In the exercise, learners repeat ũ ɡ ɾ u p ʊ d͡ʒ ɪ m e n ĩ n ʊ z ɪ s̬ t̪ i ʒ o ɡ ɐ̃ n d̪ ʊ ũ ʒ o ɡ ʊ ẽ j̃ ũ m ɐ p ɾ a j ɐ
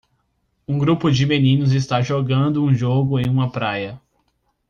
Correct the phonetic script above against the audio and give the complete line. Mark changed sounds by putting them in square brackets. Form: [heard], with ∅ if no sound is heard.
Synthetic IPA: ũ ɡ ɾ u p ʊ d͡ʒ ɪ m e n ĩ n ʊ z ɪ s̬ t̪ [a] ʒ o ɡ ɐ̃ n d̪ ʊ ũ ʒ o ɡ ʊ ẽ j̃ ũ m ɐ p ɾ a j ɐ